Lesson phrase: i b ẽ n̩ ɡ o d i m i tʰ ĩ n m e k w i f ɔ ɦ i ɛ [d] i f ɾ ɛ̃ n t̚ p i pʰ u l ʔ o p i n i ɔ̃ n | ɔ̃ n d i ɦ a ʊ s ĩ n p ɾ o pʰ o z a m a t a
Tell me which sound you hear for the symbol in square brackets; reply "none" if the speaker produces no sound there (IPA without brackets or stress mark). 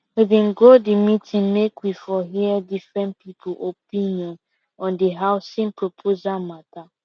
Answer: d